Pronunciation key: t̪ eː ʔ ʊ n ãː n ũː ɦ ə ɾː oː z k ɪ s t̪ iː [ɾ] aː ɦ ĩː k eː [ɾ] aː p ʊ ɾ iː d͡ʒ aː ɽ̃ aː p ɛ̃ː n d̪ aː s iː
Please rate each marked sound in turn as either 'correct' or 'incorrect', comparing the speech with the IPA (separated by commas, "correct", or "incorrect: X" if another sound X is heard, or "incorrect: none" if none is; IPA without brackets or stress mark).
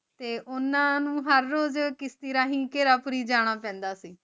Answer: correct, correct